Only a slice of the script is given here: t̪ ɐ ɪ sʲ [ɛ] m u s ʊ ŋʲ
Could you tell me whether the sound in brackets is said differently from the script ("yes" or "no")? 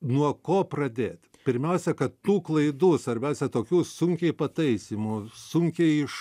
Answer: yes